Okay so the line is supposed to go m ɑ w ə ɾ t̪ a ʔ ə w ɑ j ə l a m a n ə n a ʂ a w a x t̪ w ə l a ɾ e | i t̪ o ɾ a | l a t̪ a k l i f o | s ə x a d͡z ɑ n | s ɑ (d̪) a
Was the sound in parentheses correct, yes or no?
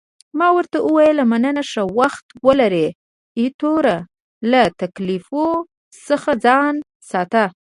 no